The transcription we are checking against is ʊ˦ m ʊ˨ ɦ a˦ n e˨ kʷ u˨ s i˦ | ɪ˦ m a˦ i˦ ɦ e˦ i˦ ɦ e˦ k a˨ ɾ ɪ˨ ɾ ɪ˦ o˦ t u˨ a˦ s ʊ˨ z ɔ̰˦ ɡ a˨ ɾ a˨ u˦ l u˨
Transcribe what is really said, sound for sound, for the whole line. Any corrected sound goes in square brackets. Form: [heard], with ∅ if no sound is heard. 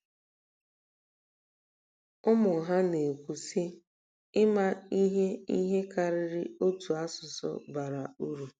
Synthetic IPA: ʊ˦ m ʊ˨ ɦ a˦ n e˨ kʷ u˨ s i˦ | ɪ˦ m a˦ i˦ ɦ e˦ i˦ ɦ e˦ k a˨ ɾ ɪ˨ ɾ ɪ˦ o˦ t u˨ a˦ s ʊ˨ [s] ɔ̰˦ [b] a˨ ɾ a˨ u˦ [ɾ] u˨